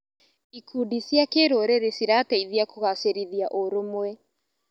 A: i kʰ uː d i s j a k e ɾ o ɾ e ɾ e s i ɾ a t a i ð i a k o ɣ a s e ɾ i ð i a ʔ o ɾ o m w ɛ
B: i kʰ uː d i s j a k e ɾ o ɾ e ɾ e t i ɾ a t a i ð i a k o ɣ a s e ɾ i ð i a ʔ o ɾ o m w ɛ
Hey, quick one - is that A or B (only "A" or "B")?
A